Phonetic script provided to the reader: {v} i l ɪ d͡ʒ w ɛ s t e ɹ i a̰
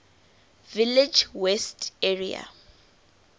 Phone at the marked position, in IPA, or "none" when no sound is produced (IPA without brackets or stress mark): v